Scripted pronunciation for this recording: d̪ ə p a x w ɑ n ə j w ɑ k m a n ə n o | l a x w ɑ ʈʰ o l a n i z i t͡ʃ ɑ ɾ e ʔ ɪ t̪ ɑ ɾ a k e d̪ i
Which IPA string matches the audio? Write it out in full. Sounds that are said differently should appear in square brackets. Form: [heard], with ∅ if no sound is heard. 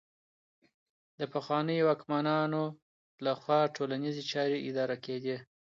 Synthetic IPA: d̪ ə p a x w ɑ n ə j w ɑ k m a n [ɑ] n o | l a x w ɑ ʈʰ o l a n i z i t͡ʃ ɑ ɾ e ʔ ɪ [d̪] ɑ ɾ a k e d̪ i